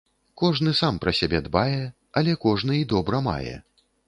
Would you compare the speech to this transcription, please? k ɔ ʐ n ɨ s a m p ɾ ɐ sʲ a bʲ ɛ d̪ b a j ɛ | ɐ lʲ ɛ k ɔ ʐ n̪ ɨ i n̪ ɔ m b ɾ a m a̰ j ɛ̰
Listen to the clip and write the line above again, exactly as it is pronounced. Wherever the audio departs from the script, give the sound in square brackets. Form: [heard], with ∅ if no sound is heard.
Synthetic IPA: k ɔ ʐ n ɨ s a m p ɾ ɐ sʲ a bʲ ɛ d̪ b a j ɛ | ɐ lʲ ɛ k ɔ ʐ n̪ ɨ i [d̪] ɔ [∅] b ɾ [ɐ] m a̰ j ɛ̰